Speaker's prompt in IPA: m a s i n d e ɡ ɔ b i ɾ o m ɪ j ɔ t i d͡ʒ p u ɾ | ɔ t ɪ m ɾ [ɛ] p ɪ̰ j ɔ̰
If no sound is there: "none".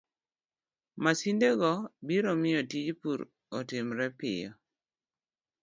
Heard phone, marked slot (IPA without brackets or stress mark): ɛ